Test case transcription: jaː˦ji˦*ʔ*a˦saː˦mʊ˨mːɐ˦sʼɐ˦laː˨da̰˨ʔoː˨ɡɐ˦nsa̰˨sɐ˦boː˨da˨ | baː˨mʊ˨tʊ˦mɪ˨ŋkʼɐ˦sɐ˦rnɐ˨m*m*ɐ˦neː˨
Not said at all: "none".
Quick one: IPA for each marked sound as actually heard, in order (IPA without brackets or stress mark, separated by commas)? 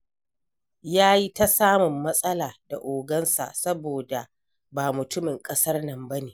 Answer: t, b